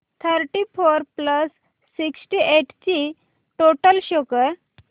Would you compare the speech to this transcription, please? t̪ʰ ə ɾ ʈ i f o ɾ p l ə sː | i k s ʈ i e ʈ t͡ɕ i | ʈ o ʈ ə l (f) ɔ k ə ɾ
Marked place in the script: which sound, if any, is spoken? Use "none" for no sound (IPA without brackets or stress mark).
ɕ